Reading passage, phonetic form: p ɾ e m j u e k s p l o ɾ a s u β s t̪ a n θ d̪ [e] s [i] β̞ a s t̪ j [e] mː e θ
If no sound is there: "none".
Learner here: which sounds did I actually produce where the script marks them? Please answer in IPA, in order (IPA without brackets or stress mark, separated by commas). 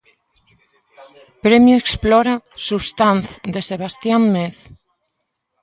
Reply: e, e, a